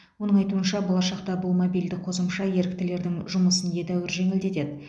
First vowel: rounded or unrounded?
rounded